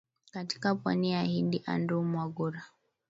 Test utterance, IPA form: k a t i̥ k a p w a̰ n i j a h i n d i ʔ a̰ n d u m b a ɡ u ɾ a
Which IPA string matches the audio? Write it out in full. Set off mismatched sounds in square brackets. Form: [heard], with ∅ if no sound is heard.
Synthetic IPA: k a t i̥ k a p w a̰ n i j a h i n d i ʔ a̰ n d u m [w] a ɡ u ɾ a